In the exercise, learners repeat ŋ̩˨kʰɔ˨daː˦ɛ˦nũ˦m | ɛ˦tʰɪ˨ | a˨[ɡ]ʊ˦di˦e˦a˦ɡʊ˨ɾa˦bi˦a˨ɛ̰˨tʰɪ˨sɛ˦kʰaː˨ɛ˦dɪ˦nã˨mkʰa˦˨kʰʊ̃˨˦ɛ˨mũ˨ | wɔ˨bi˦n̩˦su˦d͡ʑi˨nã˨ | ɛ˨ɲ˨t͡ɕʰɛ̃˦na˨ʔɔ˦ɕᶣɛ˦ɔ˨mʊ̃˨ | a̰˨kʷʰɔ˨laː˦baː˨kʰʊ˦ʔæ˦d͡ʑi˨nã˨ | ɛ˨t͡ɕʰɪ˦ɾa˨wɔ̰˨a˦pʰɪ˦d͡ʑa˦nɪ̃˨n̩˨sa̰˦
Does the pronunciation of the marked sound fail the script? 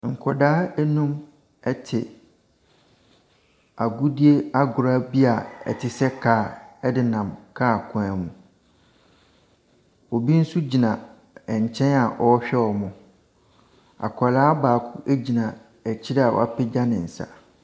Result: no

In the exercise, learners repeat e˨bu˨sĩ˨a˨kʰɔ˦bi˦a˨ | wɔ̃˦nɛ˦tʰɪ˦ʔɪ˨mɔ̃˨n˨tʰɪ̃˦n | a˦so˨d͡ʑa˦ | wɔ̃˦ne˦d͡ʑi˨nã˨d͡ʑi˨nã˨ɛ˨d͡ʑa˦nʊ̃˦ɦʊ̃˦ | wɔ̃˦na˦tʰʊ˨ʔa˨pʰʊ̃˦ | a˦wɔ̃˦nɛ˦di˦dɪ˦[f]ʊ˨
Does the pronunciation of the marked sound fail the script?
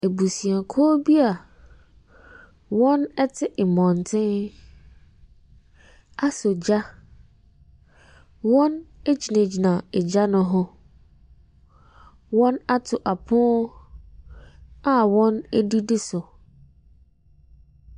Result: yes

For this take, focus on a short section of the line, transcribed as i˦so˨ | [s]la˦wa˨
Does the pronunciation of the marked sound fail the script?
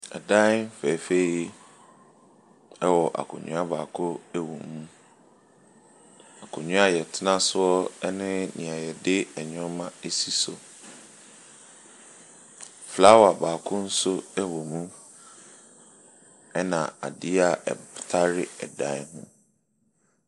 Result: yes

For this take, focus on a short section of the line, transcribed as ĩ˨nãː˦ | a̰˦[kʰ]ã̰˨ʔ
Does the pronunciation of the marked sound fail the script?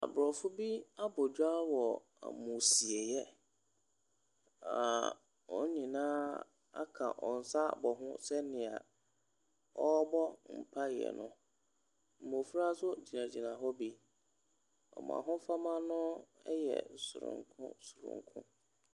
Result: no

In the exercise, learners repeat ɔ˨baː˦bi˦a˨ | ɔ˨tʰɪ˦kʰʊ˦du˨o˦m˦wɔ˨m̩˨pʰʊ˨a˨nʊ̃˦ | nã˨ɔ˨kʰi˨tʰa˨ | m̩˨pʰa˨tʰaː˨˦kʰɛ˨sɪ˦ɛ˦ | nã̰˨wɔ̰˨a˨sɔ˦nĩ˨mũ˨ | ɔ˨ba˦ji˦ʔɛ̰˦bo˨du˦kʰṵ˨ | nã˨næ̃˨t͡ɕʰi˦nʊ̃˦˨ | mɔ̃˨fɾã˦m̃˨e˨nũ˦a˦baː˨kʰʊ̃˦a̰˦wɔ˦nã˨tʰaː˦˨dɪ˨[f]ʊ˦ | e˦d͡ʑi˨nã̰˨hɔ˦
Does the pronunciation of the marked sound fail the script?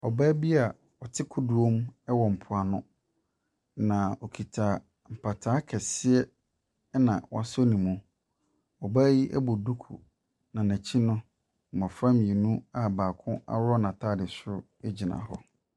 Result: yes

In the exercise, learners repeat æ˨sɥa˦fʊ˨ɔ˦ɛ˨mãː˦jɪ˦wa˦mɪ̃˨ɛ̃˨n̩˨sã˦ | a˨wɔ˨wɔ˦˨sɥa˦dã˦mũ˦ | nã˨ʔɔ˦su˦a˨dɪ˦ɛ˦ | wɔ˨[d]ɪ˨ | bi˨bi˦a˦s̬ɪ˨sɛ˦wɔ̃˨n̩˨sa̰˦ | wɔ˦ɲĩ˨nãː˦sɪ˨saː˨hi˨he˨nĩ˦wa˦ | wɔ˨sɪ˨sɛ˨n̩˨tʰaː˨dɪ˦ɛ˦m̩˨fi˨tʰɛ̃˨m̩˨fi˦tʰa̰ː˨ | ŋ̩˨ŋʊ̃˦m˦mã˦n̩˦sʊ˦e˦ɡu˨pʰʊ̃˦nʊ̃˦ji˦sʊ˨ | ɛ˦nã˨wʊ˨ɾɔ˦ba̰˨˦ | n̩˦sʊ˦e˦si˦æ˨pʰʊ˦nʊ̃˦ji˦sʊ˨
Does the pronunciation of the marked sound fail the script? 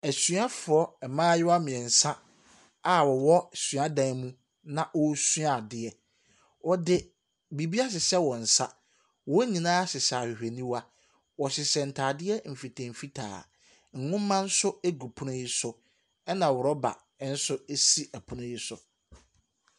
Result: no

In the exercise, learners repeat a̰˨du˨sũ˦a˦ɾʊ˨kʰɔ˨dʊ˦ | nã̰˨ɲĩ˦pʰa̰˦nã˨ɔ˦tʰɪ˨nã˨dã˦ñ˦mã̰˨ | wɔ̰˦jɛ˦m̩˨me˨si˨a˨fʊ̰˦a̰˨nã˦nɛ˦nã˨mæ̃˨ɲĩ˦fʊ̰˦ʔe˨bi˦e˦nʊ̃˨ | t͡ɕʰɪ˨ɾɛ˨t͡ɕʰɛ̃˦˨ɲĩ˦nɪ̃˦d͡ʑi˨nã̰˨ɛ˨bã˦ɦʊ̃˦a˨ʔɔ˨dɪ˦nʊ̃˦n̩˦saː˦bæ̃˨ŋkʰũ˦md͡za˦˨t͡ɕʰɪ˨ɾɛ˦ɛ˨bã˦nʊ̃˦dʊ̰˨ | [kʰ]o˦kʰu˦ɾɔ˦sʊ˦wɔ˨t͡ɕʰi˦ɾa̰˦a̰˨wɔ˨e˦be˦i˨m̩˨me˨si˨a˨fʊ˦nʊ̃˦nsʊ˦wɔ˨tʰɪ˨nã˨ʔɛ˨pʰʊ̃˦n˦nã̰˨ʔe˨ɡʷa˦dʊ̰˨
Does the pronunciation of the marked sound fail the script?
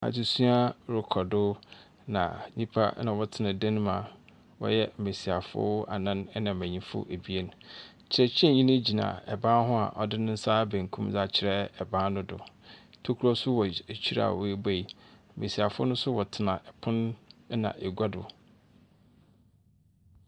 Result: yes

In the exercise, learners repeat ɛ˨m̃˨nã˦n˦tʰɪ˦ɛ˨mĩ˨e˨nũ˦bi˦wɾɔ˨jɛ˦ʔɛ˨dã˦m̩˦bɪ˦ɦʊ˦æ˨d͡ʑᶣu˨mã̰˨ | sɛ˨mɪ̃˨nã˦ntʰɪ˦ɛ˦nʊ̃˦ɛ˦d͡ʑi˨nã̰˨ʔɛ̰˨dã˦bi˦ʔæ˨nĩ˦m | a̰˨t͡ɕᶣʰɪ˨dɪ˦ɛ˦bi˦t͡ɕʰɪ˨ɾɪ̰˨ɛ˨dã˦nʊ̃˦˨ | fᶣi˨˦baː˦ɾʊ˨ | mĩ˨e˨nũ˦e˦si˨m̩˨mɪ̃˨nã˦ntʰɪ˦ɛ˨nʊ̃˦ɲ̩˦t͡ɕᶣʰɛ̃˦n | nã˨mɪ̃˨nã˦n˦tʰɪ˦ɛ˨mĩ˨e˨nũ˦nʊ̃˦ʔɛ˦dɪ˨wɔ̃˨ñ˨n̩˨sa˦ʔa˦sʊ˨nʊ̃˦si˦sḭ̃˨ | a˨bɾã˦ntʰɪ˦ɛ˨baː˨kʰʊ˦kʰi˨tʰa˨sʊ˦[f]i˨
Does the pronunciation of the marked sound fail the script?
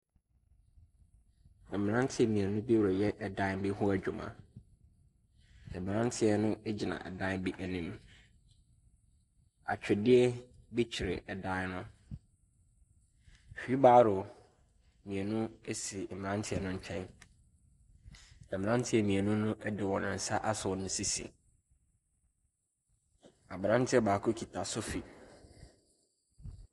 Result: no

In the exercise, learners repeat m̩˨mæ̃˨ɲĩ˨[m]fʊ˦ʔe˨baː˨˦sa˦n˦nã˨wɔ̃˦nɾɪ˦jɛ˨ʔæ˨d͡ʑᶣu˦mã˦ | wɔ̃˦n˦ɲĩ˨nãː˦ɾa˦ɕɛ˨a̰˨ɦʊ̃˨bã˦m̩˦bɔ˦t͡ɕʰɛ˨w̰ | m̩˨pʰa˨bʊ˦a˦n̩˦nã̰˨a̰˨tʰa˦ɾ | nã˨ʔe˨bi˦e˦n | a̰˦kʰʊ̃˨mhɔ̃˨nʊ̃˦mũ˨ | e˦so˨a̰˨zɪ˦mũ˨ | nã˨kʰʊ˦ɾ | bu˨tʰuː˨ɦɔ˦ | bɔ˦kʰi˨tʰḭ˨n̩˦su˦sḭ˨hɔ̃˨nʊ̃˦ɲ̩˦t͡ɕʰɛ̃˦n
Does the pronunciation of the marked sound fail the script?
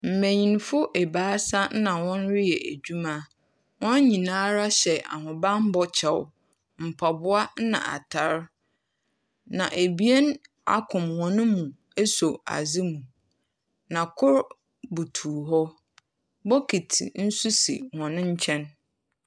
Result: yes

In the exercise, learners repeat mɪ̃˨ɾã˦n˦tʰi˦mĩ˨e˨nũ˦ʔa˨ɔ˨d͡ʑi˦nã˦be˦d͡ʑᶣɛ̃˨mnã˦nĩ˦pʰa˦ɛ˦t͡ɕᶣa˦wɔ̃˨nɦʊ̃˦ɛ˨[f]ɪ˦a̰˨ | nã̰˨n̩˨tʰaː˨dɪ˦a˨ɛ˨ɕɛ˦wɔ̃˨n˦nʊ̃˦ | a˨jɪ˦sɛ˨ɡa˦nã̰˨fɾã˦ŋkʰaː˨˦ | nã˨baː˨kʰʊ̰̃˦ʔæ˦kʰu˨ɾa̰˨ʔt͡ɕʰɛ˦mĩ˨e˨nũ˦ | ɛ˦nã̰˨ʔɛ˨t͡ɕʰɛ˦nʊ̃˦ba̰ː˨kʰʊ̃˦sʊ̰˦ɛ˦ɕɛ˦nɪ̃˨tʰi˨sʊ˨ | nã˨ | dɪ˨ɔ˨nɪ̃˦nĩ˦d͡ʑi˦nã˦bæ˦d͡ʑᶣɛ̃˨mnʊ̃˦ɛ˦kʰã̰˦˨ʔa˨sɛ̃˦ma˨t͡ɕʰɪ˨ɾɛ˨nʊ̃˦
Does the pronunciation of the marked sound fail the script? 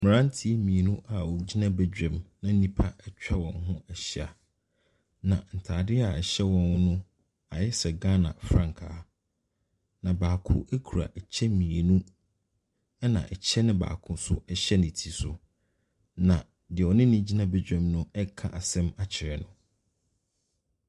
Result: yes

